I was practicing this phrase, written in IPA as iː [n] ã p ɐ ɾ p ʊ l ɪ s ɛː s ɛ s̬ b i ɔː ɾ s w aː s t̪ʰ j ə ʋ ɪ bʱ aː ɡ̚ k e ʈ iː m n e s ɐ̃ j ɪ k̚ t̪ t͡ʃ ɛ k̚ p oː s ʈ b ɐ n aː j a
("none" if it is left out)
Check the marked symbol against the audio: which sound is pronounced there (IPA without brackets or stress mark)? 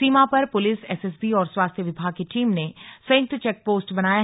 m